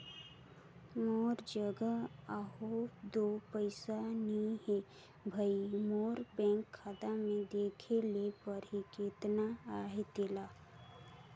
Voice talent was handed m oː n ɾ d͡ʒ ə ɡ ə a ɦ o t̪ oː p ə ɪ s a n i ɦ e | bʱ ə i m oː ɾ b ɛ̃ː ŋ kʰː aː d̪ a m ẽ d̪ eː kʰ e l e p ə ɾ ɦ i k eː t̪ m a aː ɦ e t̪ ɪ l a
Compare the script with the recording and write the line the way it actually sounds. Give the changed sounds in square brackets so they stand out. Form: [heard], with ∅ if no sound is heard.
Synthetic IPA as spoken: m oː [∅] ɾ d͡ʒ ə ɡ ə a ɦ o [d̪] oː p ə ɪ s a n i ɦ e | bʱ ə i m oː ɾ b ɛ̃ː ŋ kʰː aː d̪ a m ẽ d̪ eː kʰ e l e p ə ɾ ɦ i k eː t̪ [n] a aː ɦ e t̪ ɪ l a